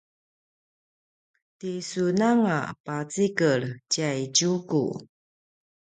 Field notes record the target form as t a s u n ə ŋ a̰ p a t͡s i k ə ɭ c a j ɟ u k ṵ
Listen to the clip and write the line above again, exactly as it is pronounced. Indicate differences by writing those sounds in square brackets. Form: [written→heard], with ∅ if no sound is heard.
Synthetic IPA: t [a→i] s u n [ə→a] ŋ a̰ p a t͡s i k ə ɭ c a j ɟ u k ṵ